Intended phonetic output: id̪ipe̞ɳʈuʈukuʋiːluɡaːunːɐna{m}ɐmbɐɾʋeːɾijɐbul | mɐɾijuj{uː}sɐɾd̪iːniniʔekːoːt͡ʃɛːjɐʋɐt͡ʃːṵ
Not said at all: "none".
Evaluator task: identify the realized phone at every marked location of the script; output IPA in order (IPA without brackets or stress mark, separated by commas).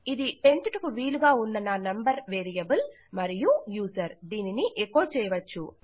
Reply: n, uː